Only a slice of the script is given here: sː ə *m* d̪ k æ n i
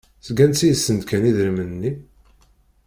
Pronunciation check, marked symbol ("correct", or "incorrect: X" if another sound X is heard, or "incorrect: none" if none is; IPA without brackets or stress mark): incorrect: n